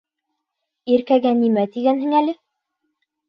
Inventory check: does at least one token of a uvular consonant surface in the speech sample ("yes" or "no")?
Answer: no